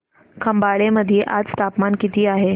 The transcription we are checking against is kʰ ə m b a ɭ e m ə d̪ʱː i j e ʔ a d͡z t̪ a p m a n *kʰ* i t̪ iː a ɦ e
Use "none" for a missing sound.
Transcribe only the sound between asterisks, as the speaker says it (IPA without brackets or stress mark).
k